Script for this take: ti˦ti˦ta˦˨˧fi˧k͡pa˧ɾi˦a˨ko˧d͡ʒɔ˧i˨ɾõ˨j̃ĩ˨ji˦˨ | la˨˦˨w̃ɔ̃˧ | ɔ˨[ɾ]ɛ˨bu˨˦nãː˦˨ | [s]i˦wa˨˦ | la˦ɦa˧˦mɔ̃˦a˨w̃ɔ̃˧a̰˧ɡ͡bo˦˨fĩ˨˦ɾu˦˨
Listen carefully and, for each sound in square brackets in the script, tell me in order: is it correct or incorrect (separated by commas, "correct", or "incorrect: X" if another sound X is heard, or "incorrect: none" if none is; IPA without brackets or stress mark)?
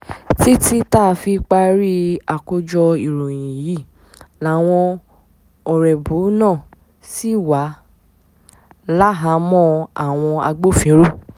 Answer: correct, correct